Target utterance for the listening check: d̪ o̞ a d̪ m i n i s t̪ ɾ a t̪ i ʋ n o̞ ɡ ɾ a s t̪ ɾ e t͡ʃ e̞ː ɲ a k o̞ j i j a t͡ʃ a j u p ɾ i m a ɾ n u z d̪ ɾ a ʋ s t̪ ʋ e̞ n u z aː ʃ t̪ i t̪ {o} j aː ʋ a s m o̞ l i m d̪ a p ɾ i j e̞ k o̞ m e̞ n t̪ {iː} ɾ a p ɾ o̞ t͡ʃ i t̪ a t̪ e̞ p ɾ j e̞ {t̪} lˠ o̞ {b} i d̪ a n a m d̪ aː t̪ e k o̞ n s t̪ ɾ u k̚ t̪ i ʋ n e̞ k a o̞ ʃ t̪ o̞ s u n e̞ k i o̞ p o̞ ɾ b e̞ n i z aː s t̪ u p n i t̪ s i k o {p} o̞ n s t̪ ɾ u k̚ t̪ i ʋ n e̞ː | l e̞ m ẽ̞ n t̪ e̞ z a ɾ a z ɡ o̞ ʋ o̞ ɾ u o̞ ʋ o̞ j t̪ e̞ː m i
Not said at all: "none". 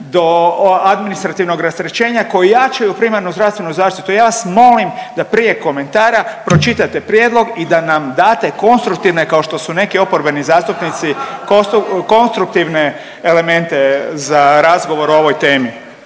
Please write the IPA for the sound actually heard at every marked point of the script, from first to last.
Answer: u, aː, d̪, ɡ, k

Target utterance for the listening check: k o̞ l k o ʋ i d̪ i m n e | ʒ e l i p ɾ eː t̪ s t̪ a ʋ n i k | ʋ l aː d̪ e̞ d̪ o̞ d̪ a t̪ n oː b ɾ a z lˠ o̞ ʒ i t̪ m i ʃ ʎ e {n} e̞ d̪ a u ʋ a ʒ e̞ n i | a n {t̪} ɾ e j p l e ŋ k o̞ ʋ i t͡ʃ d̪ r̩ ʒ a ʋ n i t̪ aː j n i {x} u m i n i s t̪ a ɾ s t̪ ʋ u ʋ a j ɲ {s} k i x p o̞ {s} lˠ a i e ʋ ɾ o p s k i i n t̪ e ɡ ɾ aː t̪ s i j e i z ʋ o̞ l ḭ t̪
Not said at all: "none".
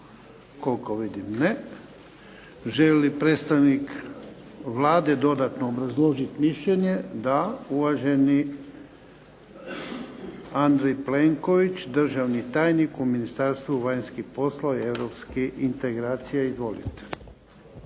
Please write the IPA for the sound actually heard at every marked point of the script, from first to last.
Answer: ɲ, d̪, k, s, s

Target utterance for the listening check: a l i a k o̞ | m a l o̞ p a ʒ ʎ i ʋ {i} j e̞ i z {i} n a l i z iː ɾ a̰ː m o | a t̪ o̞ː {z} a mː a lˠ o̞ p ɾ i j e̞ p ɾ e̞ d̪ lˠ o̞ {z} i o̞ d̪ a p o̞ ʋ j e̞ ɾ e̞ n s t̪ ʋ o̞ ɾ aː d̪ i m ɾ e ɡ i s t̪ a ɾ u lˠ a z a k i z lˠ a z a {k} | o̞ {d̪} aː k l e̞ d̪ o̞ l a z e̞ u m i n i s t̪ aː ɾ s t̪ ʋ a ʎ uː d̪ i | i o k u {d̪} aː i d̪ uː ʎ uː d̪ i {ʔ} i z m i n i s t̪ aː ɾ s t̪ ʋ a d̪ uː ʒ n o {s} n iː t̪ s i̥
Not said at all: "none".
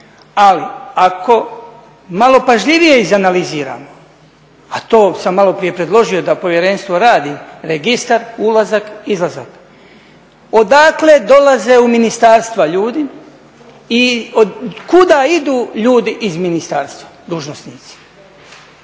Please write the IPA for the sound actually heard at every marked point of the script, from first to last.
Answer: i, a, s, ʒ, k, d̪, d̪, ʔ, s

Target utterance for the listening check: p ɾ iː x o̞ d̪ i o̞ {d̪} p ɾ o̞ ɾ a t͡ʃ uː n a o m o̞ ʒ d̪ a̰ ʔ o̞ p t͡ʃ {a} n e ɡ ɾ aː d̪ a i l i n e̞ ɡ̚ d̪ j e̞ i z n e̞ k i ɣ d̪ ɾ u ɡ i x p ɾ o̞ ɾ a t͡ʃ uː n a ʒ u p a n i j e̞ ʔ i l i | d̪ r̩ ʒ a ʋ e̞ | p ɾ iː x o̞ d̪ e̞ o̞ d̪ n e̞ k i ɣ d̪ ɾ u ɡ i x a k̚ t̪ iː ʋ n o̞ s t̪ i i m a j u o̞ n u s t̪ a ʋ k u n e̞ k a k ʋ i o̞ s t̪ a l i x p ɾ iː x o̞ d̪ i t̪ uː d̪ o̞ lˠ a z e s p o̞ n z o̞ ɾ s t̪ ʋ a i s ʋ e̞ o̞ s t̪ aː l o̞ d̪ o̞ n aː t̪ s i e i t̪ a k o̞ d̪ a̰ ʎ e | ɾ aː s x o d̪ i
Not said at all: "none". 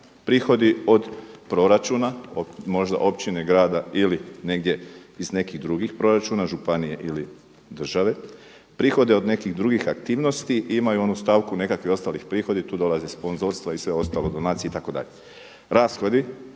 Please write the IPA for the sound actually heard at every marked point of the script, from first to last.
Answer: d̪, i

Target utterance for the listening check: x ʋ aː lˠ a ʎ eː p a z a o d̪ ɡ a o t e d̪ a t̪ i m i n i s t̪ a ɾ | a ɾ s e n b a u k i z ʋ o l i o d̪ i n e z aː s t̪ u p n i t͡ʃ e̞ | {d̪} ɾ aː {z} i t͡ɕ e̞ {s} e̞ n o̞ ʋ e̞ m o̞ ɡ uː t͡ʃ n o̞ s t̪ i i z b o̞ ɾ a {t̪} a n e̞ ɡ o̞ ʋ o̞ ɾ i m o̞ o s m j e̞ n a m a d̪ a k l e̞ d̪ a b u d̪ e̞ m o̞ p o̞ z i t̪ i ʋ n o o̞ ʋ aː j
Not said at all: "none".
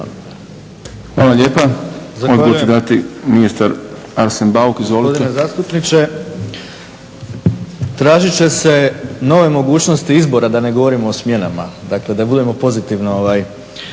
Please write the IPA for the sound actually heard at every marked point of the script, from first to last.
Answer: t̪, ʒ, s, d̪

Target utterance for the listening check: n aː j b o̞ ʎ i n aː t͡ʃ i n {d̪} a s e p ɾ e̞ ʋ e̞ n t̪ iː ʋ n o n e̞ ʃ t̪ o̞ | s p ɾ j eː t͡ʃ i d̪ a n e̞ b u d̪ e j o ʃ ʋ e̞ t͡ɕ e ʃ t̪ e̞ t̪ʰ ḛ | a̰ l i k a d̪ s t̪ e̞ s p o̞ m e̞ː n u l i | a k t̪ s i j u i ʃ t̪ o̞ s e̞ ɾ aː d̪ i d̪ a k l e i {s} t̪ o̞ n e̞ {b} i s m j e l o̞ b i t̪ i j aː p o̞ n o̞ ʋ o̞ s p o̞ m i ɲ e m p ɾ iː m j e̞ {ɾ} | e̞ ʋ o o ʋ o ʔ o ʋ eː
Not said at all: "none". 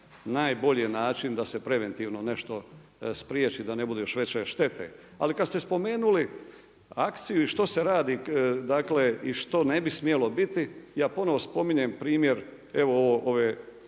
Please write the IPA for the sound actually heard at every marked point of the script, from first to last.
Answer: d̪, ʃ, b, ɾ

